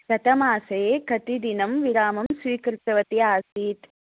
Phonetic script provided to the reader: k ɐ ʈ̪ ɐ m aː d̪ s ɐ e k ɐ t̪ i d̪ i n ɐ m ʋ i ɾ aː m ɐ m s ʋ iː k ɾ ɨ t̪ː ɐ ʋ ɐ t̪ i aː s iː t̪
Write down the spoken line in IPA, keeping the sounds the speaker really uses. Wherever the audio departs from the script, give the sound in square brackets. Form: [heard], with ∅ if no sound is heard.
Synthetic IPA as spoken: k ɐ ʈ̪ ɐ m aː [∅] s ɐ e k ɐ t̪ i d̪ i n ɐ m ʋ i ɾ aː m ɐ m s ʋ iː k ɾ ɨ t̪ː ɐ ʋ ɐ t̪ i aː s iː t̪